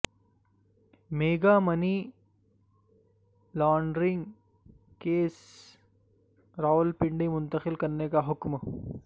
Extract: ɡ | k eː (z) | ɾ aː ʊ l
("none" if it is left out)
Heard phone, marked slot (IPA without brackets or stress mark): s